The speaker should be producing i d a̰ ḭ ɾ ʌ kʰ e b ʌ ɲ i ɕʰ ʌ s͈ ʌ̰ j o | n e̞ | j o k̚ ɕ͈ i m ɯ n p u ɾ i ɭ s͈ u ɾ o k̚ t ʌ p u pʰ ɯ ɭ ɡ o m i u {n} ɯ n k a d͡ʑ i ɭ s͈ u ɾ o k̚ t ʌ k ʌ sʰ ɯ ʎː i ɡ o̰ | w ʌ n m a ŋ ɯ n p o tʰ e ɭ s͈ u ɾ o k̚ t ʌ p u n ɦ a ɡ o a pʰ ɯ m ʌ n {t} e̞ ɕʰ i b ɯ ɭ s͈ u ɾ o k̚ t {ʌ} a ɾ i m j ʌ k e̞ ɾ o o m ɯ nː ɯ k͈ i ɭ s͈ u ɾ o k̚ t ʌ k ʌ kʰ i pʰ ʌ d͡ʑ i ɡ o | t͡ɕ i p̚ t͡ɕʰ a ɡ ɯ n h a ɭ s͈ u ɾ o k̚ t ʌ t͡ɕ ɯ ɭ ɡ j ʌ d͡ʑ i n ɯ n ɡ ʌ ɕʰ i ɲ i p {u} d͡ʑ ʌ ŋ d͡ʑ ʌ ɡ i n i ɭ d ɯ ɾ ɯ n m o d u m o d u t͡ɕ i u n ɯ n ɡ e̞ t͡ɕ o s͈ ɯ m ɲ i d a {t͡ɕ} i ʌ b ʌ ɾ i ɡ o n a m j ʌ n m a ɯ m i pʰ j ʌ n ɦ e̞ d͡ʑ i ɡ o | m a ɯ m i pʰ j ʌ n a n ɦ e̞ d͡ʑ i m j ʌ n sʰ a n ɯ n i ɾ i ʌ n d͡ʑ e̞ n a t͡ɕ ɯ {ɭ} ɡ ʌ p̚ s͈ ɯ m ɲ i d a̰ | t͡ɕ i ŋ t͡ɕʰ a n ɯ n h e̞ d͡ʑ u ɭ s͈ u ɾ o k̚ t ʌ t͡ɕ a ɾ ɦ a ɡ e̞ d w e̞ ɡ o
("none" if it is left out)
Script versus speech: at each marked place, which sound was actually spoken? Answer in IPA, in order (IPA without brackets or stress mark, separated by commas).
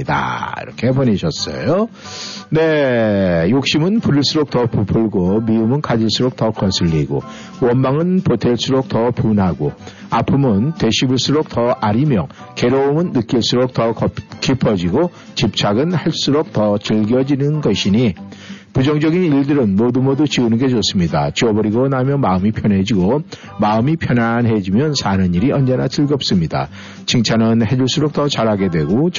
m, t, ʌ, u, t͡ɕ, ɭ